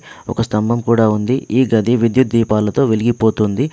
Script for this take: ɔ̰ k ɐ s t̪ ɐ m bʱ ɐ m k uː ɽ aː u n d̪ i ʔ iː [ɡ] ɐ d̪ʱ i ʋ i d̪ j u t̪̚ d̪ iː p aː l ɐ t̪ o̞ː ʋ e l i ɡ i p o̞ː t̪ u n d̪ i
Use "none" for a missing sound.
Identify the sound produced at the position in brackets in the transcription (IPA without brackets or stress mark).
ɡ